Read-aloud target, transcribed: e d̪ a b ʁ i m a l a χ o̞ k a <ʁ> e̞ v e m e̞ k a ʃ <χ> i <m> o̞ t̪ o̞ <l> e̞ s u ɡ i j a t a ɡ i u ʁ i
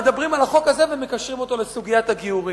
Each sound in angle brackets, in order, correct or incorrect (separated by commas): incorrect, incorrect, correct, correct